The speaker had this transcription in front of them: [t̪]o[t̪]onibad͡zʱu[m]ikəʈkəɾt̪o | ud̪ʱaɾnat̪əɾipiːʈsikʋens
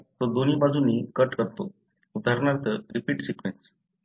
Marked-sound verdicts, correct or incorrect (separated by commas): correct, incorrect, incorrect